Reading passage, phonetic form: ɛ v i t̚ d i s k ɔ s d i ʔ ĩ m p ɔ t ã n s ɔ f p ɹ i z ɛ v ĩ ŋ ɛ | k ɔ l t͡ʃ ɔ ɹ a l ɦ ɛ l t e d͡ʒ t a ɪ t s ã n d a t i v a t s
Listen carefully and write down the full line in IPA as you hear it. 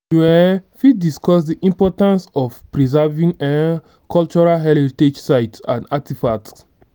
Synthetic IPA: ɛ f i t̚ d i s k ɔ s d i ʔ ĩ m p ɔ t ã n s ɔ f p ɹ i z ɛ v ĩ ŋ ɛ | k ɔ l t͡ʃ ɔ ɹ a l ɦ ɛ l t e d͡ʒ s a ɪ t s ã n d a t i f a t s